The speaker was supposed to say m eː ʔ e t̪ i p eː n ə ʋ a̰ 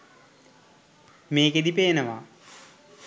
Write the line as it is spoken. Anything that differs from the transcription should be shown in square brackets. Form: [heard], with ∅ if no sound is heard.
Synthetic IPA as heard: m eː [k] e [d̪] i p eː n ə ʋ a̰